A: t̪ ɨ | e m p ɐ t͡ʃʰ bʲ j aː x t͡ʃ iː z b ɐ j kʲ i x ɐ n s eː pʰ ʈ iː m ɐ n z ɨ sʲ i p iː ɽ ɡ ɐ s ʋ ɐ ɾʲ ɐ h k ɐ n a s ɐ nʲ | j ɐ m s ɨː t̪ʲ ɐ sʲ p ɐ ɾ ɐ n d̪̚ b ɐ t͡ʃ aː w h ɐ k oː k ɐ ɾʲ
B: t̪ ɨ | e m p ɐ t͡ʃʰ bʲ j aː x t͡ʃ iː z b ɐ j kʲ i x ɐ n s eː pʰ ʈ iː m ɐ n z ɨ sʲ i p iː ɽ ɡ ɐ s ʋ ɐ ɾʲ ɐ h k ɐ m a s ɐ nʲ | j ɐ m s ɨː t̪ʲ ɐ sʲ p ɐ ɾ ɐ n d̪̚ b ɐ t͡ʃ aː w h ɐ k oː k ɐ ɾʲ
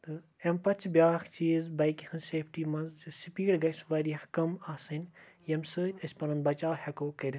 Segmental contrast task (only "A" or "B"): B